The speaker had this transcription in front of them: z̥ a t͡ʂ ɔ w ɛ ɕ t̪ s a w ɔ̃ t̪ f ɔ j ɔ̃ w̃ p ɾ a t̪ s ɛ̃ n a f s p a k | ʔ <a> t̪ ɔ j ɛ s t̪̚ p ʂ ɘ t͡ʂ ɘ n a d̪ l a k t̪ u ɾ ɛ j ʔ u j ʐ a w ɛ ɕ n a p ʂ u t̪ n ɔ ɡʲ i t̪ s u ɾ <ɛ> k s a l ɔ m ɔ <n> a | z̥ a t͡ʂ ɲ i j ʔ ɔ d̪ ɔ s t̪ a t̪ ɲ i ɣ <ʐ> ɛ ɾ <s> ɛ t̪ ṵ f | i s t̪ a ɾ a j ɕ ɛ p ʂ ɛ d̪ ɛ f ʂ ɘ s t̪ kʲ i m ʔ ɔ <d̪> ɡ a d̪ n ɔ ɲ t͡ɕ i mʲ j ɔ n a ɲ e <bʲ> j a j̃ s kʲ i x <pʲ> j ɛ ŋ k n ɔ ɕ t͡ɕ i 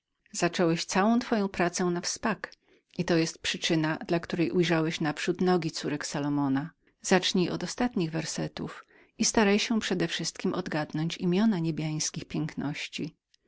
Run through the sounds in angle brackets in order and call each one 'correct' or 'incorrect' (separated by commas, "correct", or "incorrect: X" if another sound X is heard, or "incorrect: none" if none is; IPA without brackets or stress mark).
incorrect: i, correct, correct, incorrect: v, correct, correct, correct, correct